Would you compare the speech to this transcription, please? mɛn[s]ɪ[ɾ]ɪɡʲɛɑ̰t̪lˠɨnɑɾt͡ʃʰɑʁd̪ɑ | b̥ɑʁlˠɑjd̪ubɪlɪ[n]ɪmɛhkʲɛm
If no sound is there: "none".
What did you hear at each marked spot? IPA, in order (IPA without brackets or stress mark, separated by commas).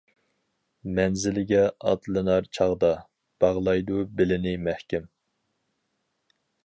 z, l, n